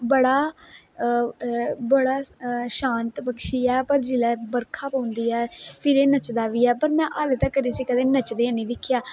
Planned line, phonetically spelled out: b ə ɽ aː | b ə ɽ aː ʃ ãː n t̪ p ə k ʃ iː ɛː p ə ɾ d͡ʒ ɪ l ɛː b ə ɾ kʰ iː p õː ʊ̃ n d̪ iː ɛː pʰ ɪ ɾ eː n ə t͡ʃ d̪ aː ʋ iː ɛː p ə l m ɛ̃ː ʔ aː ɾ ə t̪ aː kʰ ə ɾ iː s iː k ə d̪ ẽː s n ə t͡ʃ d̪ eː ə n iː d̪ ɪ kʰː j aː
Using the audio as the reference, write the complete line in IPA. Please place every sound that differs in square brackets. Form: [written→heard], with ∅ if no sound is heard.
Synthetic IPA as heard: b ə ɽ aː | b ə ɽ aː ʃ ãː n t̪ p ə k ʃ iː ɛː p ə ɾ d͡ʒ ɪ l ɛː b ə ɾ kʰ [iː→aː] p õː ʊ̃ n d̪ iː ɛː pʰ ɪ ɾ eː n ə t͡ʃ d̪ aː ʋ iː ɛː p ə [l→ɾ] m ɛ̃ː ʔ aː [ɾ→l] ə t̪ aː [kʰ→k] ə ɾ iː s iː k ə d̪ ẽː [s→∅] n ə t͡ʃ d̪ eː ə n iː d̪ ɪ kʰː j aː

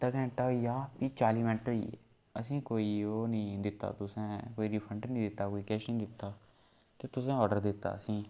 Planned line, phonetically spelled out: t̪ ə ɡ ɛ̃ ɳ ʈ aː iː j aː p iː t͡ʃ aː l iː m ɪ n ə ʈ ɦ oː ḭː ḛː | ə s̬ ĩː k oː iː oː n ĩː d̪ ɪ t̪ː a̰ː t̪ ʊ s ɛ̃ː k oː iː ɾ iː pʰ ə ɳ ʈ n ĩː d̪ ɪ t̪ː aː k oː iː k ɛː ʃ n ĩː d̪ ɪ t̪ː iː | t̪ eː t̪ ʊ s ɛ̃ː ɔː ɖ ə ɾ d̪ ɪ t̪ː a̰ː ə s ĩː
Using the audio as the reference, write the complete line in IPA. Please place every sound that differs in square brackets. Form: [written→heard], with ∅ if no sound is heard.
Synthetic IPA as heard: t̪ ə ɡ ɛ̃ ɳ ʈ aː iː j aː p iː t͡ʃ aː l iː m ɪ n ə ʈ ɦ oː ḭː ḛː | ə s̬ ĩː k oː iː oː n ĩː d̪ ɪ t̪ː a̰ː t̪ ʊ s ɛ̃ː k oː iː ɾ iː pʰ ə ɳ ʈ n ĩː d̪ ɪ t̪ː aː k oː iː k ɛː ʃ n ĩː d̪ ɪ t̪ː [iː→aː] | t̪ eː t̪ ʊ s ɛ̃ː ɔː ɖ ə ɾ d̪ ɪ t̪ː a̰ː ə s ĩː

